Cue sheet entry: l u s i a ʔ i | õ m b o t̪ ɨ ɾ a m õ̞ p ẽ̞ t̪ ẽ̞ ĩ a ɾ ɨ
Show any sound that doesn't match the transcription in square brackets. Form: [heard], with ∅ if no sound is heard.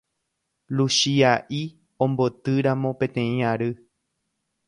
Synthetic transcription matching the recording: l u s i a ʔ i | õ m b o t̪ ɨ ɾ a m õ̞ p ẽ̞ t̪ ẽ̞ ĩ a ɾ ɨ